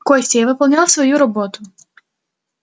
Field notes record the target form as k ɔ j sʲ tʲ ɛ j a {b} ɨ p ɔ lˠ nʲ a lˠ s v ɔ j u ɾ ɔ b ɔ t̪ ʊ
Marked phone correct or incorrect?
incorrect